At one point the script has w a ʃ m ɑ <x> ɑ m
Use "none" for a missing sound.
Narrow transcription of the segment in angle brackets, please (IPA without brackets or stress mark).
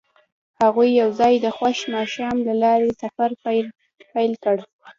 ʃ